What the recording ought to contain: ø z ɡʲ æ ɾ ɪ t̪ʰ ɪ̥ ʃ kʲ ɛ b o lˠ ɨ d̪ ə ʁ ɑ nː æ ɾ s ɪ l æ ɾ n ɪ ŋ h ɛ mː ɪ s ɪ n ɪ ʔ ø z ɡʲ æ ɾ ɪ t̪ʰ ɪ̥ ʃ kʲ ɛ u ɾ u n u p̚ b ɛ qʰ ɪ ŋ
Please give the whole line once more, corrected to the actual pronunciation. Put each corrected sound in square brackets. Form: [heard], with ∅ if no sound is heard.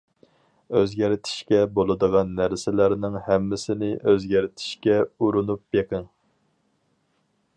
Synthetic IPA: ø z ɡʲ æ ɾ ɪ t̪ʰ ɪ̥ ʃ kʲ ɛ b o lˠ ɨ d̪ ə ʁ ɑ nː æ ɾ s ɪ l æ ɾ n ɪ ŋ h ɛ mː ɪ s ɪ n ɪ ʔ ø z ɡʲ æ ɾ ɪ t̪ʰ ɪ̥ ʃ kʲ ɛ u ɾ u n u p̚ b [e] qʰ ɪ ŋ